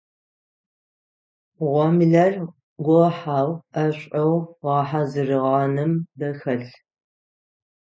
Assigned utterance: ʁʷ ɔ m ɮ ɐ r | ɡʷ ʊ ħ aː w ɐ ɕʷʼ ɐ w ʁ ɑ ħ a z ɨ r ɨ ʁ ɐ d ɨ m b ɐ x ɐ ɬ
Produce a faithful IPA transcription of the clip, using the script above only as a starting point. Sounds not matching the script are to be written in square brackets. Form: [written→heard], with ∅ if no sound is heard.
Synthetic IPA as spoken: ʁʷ ɔ m ɮ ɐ r | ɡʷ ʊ ħ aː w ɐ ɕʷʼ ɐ w ʁ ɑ ħ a z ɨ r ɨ ʁ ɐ [d→n] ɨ m b ɐ x ɐ ɬ